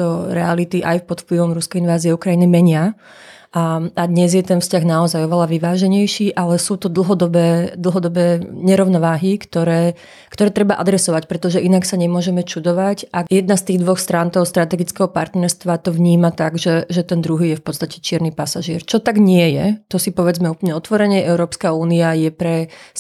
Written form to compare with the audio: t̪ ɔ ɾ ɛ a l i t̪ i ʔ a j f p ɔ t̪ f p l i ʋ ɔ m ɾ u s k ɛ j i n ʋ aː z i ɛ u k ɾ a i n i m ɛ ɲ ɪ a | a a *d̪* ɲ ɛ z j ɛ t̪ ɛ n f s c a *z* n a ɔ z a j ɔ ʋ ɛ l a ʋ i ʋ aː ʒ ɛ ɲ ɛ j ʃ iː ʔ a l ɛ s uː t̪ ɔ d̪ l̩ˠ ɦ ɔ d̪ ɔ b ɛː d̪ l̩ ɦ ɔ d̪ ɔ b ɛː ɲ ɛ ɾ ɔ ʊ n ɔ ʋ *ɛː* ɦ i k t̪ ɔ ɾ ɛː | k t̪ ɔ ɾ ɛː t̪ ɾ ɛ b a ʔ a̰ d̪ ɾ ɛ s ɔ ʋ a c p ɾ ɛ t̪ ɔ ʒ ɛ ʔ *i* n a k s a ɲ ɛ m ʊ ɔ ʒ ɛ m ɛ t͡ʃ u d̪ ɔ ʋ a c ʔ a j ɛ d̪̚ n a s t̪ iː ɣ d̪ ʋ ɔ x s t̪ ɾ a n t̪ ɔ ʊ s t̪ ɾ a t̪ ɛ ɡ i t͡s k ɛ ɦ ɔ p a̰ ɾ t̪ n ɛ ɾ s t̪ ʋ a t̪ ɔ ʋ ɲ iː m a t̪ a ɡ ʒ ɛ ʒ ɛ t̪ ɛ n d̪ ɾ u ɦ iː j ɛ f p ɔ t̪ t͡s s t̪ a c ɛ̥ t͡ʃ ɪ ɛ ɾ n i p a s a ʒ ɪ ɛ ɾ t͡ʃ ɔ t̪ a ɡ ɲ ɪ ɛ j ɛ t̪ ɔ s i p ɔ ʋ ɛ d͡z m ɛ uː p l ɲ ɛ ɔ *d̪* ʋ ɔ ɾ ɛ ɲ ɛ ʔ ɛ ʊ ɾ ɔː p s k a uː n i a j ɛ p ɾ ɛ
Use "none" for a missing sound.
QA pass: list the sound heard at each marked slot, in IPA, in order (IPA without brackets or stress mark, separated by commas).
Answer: d̪, ɣ, aː, i, t̪